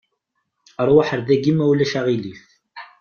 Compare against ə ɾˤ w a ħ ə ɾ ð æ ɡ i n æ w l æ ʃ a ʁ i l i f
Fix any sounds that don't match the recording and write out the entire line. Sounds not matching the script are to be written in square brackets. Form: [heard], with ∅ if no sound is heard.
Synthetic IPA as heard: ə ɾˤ w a ħ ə ɾ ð æ ɡ i [m] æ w l æ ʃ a ʁ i l i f